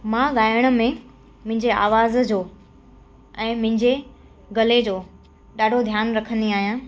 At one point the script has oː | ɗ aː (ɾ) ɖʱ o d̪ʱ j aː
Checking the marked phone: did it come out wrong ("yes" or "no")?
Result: yes